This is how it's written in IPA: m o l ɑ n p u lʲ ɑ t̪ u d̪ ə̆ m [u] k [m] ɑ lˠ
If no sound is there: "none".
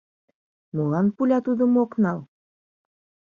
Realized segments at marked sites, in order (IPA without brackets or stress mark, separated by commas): o, n